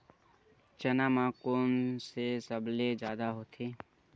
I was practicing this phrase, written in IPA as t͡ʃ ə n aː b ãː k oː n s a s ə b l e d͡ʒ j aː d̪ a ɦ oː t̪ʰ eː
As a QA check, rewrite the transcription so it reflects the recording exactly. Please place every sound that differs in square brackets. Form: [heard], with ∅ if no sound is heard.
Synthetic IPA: t͡ʃ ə n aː [m] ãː k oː n s [e] s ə b l e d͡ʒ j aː d̪ a ɦ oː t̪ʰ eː